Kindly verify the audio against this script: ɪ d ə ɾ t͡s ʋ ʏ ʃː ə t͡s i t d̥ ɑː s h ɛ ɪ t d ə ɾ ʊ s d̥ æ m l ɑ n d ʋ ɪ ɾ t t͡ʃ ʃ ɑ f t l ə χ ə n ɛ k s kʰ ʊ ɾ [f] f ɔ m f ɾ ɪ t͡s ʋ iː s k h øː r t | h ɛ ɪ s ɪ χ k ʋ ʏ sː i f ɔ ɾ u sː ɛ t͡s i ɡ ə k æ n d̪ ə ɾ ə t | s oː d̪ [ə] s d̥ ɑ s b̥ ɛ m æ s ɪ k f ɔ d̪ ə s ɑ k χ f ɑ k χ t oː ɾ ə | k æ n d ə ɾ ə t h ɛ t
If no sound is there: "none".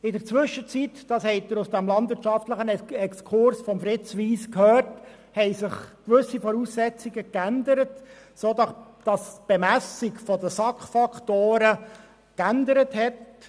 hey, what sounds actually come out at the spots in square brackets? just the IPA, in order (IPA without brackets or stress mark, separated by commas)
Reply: s, ɑ